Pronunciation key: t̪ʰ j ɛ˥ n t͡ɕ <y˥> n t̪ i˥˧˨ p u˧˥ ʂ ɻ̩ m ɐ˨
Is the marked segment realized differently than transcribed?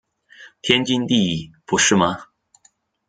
yes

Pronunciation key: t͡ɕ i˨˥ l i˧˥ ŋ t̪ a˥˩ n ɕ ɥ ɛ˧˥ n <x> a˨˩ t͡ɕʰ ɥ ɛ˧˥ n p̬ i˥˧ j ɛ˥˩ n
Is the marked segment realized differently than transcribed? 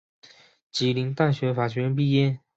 yes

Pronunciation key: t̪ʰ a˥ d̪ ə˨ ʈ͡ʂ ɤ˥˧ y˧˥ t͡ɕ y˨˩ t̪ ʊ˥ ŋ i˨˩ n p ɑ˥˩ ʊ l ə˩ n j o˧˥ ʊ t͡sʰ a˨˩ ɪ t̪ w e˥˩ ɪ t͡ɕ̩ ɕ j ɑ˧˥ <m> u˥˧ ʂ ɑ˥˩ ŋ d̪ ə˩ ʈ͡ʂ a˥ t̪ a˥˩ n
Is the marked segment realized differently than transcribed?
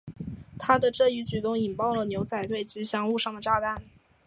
yes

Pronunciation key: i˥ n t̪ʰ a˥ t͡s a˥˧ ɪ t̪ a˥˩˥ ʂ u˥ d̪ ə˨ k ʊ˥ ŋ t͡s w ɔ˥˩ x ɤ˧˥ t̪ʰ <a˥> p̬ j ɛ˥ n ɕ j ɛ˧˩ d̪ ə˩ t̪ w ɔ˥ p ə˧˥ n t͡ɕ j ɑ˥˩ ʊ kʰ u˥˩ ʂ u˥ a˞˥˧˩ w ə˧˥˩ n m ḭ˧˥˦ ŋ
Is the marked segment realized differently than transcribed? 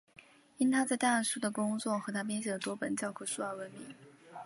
no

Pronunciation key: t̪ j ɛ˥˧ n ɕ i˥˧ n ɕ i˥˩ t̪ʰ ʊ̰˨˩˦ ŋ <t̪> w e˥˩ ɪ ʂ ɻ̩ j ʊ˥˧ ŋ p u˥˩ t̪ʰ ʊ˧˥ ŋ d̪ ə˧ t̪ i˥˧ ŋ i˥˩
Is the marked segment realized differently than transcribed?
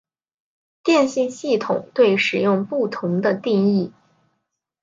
no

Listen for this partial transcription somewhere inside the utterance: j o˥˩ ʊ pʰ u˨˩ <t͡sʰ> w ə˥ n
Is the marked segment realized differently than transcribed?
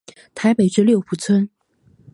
no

